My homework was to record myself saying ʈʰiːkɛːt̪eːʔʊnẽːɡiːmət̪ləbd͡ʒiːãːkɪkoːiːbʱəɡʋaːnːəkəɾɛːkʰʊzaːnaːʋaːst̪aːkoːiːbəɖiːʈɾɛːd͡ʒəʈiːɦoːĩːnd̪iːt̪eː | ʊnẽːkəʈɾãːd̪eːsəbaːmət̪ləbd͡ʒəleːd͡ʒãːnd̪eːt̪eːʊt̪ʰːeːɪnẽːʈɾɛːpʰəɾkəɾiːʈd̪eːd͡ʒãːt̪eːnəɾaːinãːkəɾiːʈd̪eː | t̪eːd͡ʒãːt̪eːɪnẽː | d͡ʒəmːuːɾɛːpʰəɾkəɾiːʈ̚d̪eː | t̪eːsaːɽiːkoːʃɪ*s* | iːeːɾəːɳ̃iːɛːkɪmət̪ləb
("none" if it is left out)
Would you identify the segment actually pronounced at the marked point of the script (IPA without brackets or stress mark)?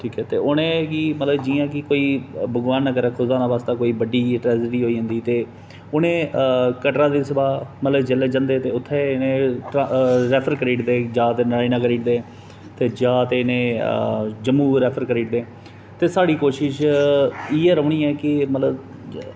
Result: ʃ